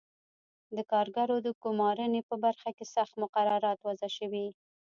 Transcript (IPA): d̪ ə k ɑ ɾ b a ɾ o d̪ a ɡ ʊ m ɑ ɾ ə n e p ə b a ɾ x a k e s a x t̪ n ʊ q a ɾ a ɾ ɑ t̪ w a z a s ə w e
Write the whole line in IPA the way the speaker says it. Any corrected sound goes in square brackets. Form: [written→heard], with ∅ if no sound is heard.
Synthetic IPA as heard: d̪ ə k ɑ ɾ [b→ɡ] a ɾ o d̪ [a→ə] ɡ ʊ m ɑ ɾ ə n e p ə b a ɾ x a k e s a x t̪ [n→m] ʊ q a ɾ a ɾ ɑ t̪ w a z a [s→ʃ] ə w [e→i]

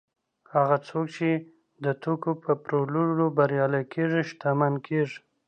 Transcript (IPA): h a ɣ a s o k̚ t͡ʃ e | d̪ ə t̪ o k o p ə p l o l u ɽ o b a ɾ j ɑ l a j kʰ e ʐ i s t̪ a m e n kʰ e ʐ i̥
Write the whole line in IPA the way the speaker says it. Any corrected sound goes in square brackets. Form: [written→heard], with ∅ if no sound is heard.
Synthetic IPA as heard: h a ɣ a [s→t͡s] o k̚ t͡ʃ e | d̪ ə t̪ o k o p ə p [l→ɾ] o l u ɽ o b a ɾ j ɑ l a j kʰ e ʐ i [s→ʃ] t̪ a m [e→a] n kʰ e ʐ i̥

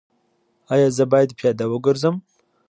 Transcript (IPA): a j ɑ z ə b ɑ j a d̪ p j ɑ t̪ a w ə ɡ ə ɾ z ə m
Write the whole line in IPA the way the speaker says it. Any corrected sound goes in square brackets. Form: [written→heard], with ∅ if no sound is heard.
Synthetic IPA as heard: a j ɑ z ə b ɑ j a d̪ p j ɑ [t̪→d̪] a w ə ɡ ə ɾ z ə m

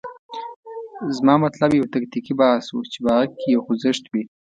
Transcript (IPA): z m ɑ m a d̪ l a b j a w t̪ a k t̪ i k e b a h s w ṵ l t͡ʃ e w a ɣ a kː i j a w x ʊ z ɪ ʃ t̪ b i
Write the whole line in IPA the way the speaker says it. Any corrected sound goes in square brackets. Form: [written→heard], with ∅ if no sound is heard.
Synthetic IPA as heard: z m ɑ m a [d̪→t̪] l a b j a w t̪ a k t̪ i k [e→i] b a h s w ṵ [l→∅] t͡ʃ e [w→b] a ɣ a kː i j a w x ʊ z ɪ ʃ t̪ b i

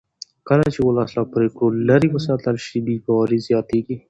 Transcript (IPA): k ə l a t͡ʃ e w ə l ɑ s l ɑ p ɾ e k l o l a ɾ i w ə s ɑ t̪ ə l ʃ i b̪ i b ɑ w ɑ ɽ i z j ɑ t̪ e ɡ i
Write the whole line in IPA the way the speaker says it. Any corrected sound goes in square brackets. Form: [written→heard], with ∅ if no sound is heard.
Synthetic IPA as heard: k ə l a t͡ʃ e w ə l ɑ s l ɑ p ɾ e k [l→ɽ] o l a ɾ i w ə s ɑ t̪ ə l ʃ i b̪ i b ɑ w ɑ [ɽ→ɾ] i z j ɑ t̪ e ɡ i

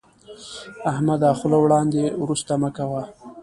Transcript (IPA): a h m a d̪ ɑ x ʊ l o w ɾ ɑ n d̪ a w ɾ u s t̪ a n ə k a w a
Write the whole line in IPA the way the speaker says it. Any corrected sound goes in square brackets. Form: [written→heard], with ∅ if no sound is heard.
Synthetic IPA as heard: a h m a d̪ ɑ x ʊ l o w [ɾ→ɽ] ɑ n d̪ [a→e] w ɾ u s t̪ a [n→m] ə k a w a

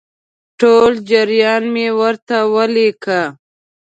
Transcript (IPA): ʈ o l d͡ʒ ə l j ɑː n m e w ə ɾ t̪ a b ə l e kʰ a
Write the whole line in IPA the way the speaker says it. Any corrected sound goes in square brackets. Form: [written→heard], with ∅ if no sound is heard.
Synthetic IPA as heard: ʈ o l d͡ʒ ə [l→ɾ] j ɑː n m e w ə ɾ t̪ a [b→w] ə l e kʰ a

